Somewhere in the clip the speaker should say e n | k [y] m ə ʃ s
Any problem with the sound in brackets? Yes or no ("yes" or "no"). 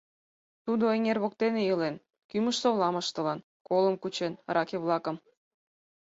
no